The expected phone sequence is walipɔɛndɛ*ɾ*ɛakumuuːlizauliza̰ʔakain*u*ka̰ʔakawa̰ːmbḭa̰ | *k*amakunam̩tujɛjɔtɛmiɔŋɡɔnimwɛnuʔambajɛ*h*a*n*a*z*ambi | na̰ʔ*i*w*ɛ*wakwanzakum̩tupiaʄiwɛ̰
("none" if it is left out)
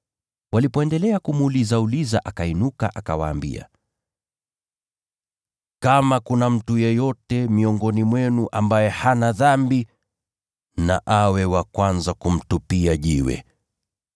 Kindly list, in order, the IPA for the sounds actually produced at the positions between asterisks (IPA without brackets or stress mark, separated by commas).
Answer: l, u, k, h, n, ð, a, ɛ